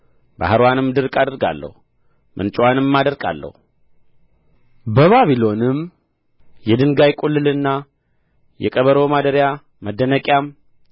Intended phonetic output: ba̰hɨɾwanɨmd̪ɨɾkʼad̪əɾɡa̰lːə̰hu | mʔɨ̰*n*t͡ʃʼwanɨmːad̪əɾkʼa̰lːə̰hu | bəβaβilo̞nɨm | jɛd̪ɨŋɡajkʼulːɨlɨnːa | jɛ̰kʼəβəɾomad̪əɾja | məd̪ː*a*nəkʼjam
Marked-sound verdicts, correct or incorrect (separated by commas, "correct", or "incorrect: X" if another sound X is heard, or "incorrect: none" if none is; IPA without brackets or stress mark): correct, incorrect: ə